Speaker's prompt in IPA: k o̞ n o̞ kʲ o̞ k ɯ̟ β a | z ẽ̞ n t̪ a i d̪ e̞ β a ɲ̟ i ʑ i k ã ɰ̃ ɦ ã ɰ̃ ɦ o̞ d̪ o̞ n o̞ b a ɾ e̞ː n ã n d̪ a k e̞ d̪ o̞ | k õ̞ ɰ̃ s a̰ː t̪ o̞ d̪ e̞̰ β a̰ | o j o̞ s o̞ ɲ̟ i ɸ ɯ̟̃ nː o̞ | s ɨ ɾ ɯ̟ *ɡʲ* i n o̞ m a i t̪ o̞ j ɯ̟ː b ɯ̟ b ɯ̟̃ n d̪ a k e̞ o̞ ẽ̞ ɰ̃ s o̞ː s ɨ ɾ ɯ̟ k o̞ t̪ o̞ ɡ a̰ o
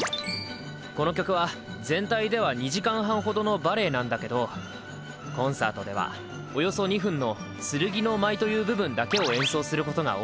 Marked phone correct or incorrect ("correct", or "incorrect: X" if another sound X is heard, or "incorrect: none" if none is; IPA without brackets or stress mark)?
correct